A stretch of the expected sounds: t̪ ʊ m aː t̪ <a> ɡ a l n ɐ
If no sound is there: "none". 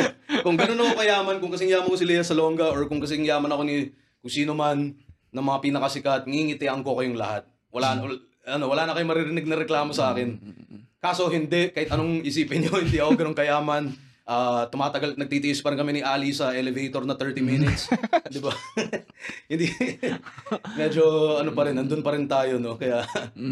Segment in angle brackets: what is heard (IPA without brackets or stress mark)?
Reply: ɐ